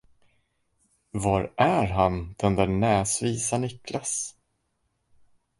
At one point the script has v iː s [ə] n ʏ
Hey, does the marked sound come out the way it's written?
no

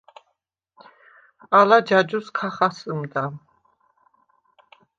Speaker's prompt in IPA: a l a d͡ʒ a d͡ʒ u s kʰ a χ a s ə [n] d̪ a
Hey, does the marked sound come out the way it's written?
no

